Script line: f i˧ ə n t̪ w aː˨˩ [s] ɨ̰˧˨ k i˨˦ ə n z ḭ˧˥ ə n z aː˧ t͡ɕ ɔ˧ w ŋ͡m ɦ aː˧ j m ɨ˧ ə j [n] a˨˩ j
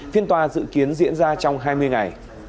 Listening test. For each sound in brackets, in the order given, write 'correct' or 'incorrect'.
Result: incorrect: z, incorrect: ŋ

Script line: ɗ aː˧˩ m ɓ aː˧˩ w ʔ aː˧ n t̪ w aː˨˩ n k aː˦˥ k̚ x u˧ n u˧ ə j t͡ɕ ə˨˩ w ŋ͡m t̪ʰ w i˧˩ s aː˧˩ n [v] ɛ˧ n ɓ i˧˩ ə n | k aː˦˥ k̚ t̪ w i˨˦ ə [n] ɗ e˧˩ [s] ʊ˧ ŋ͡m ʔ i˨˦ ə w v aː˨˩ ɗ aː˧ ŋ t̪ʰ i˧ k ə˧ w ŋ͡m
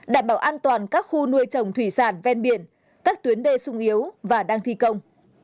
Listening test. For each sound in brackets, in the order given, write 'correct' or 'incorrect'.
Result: correct, correct, correct

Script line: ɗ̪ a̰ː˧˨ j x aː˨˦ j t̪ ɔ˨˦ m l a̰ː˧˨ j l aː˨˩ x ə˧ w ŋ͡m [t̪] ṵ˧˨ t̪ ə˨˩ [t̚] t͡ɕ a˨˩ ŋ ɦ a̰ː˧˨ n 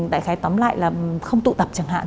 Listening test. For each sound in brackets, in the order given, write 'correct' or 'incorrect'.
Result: correct, incorrect: p̚

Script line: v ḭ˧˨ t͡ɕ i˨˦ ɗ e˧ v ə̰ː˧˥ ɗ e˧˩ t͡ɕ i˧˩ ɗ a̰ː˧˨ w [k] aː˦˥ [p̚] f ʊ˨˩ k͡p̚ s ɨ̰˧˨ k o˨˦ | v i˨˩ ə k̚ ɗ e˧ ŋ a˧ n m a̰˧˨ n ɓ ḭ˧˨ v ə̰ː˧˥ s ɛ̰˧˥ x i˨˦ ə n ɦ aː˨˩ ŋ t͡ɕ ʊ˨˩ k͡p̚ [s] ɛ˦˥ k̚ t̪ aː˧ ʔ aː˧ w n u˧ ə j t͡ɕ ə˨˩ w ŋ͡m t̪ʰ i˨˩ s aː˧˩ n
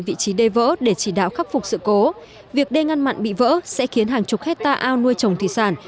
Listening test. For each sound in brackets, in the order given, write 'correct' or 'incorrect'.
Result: incorrect: x, incorrect: k̚, incorrect: h

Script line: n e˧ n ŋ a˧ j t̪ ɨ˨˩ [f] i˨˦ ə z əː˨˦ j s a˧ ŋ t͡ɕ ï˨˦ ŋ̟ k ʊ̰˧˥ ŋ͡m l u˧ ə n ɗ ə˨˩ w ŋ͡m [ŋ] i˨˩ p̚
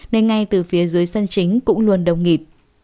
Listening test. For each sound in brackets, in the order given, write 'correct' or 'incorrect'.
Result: correct, correct

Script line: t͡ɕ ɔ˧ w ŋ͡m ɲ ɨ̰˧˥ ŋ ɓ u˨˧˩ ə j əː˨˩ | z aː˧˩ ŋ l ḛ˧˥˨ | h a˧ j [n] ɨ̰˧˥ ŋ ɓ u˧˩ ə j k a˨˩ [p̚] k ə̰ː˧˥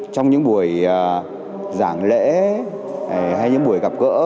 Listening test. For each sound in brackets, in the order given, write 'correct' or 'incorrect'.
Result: incorrect: ɲ, correct

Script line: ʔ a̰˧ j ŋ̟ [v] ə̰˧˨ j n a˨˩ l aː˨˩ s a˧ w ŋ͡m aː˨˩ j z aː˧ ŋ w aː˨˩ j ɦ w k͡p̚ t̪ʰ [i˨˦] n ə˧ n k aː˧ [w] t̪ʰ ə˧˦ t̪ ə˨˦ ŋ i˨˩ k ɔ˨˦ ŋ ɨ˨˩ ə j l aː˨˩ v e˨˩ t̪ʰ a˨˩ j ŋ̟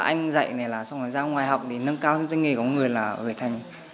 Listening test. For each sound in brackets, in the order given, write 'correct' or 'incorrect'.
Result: incorrect: z, incorrect: i˨˩, correct

